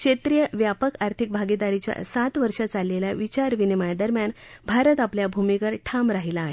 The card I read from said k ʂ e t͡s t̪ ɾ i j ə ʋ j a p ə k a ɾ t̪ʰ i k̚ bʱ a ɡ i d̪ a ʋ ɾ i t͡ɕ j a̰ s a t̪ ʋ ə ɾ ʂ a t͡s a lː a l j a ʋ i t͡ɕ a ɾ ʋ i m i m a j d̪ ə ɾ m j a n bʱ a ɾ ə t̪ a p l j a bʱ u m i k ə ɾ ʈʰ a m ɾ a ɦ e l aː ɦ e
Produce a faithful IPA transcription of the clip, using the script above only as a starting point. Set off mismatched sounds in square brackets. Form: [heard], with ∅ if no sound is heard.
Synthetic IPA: k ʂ e [∅] t̪ ɾ i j ə ʋ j a p ə k a ɾ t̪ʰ i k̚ bʱ a ɡ i d̪ a [∅] ɾ i t͡ɕ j a̰ s a t̪ ʋ ə ɾ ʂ a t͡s a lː [e] l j a ʋ i t͡ɕ a ɾ ʋ i [n] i m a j d̪ ə ɾ m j a n bʱ a ɾ ə t̪ a p l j a bʱ u m i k ə ɾ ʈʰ a m ɾ a ɦ [i] l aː ɦ e